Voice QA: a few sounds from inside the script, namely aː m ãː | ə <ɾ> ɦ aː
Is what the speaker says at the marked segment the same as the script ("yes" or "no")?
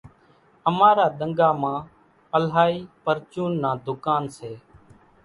no